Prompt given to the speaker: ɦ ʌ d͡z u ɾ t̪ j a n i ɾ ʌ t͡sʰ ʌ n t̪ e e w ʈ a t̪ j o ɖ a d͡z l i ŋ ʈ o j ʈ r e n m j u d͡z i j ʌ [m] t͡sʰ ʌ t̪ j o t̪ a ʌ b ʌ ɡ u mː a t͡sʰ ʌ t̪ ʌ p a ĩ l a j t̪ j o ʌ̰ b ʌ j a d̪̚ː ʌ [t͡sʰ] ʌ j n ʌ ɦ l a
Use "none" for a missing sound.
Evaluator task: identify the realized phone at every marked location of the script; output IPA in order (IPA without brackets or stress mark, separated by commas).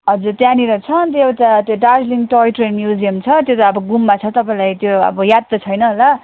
m, t͡sʰ